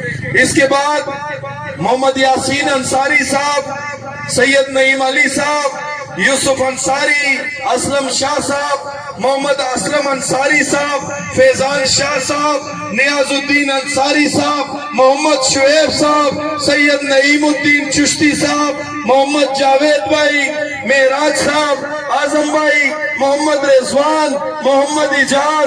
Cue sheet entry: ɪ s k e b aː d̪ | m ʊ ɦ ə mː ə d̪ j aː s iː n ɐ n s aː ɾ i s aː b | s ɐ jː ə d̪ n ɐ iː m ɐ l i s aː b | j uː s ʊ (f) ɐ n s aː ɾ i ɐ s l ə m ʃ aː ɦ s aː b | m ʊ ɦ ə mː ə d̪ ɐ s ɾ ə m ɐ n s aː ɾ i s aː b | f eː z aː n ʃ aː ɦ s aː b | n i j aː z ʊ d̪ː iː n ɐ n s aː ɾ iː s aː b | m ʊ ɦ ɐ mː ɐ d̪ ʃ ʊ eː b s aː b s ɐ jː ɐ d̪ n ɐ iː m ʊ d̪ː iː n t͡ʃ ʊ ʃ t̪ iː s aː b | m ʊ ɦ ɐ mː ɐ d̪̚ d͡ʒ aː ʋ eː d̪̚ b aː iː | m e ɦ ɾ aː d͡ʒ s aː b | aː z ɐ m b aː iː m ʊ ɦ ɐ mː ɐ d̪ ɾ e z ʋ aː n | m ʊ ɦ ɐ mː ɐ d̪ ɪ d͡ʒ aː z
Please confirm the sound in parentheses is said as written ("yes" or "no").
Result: yes